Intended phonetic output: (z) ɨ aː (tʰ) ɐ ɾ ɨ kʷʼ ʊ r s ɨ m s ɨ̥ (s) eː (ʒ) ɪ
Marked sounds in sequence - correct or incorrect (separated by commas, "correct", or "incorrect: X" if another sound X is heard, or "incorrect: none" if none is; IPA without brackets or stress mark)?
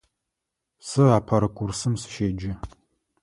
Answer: incorrect: s, incorrect: pʰ, incorrect: ʃ, incorrect: d͡ʒ